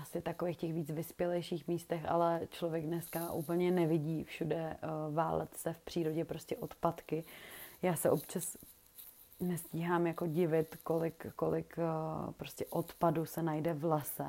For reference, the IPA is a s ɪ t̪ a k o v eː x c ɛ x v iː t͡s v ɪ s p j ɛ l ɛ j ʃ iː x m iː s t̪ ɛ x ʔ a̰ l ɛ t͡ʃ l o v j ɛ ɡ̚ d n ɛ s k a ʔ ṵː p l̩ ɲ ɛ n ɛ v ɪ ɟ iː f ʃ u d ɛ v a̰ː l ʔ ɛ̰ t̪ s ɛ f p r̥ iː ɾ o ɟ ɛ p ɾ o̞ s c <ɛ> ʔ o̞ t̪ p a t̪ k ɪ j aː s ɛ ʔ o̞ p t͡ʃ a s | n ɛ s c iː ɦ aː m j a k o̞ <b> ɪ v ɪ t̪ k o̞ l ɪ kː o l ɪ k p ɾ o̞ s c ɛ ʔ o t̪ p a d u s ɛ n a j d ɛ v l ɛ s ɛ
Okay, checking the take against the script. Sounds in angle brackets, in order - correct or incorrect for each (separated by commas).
correct, incorrect